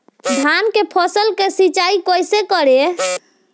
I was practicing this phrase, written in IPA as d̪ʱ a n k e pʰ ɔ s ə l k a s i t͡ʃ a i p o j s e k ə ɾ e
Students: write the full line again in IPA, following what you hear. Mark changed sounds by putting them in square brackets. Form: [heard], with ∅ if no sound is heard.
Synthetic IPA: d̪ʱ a n k e pʰ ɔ s ə l k [e] s i t͡ʃ a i [k] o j s e k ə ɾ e